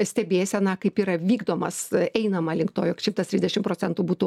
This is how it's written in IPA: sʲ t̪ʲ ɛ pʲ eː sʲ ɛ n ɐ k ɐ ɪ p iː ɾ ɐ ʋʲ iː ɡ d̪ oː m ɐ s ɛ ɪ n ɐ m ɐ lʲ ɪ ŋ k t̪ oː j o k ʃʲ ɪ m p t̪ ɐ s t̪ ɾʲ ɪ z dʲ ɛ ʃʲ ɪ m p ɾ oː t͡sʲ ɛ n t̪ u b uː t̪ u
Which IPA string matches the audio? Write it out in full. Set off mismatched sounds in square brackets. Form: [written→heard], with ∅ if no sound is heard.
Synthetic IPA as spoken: sʲ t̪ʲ ɛ [pʲ→bʲ] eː sʲ ɛ n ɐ k ɐ ɪ p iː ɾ ɐ ʋʲ iː ɡ d̪ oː m ɐ s ɛ ɪ n ɐ m ɐ lʲ ɪ ŋ k t̪ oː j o k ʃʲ ɪ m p t̪ ɐ s t̪ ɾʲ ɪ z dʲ ɛ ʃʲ ɪ m p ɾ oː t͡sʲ ɛ n t̪ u b uː t̪ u